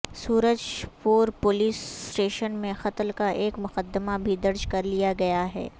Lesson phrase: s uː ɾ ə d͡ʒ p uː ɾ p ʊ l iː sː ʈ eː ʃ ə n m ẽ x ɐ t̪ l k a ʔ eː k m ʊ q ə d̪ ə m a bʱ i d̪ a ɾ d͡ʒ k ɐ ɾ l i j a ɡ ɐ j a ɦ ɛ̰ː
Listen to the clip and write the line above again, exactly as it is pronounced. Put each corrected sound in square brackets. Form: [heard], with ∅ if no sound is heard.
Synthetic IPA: s uː ɾ ə d͡ʒ p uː ɾ p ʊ l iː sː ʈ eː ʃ ə n m ẽ x ɐ t̪ l k a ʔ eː k m ʊ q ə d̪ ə m a bʱ i d̪ [ɐ] ɾ d͡ʒ k ɐ ɾ l i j a ɡ ɐ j a ɦ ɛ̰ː